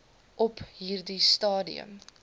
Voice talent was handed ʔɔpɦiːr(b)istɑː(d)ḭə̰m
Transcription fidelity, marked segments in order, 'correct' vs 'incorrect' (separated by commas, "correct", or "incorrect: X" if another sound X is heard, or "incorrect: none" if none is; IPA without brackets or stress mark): incorrect: d, correct